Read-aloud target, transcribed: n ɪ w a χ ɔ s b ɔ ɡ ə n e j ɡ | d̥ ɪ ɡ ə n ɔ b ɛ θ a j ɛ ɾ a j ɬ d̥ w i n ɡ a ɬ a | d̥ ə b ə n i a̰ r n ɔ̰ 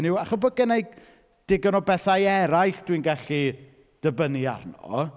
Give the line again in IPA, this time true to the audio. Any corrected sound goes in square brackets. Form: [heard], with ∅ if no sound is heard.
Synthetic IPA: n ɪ w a χ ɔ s b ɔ ɡ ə n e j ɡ | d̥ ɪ ɡ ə n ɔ b ɛ θ a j ɛ ɾ a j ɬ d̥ w i n ɡ a ɬ [i] | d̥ ə b ə n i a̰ r n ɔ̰